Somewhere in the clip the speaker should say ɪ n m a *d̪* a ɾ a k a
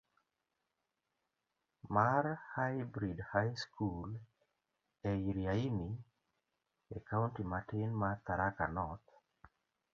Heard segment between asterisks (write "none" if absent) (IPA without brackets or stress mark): t̪